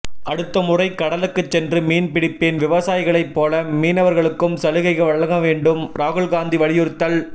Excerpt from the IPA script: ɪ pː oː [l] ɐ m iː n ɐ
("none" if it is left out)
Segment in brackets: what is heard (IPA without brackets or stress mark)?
l